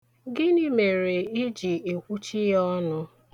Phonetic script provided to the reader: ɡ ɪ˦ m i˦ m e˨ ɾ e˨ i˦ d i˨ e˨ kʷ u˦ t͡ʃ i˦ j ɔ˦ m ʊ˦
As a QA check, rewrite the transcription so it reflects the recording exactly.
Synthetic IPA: ɡ ɪ˦ n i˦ m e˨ ɾ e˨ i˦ d͡ʒ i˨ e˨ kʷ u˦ t͡ʃ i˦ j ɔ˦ n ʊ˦